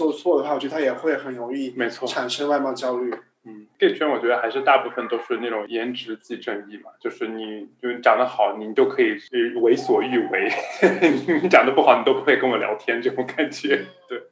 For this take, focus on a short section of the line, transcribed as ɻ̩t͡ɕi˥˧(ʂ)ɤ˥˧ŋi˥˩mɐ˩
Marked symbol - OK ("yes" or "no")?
no